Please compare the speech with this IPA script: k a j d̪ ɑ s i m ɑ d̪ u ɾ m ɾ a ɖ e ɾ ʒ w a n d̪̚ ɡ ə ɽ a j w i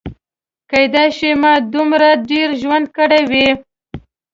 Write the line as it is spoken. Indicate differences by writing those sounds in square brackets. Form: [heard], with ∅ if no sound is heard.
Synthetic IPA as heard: k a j d̪ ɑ [ʃ] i m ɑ d̪ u [∅] m ɾ a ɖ e ɾ ʒ w a n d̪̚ [k] ə ɽ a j w i